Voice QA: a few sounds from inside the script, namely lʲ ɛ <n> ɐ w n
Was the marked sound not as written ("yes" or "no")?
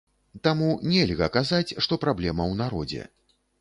yes